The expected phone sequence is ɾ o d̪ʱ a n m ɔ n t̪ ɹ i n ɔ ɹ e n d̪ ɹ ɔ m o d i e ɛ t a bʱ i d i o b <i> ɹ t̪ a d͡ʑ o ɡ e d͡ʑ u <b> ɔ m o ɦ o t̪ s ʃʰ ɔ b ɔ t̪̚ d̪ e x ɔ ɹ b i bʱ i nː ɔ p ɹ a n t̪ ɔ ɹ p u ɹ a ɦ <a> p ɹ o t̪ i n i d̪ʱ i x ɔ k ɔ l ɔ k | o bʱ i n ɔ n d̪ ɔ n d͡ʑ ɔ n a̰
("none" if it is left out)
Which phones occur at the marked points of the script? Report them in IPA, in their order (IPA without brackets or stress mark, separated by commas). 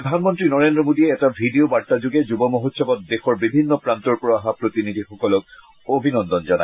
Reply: a, b, a